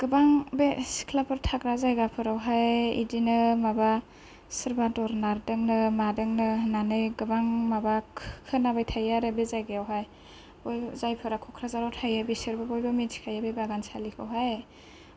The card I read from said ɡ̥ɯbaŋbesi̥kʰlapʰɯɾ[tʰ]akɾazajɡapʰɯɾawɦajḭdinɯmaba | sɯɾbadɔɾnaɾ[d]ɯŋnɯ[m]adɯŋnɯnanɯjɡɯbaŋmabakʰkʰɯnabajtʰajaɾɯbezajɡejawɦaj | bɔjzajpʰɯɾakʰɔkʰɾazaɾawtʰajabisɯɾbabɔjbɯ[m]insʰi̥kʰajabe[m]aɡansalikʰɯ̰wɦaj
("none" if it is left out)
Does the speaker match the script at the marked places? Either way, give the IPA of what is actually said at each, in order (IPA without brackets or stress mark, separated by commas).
tʰ, d, m, m, b